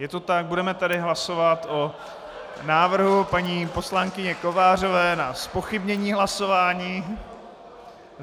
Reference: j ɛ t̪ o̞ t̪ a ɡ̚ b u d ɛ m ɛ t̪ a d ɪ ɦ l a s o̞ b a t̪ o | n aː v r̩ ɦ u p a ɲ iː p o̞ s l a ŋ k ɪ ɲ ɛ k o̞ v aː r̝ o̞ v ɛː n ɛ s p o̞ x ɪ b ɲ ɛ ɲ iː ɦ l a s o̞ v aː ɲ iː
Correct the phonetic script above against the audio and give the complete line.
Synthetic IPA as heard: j ɛ t̪ o̞ t̪ a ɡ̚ b u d ɛ m ɛ t̪ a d ɪ ɦ l a s o̞ v a t̪ o | n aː v r̩ ɦ u p a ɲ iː p o̞ s l a ŋ k ɪ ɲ ɛ k o̞ v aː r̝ o̞ v ɛː n a s p o̞ x ɪ b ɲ ɛ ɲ iː ɦ l a s o̞ v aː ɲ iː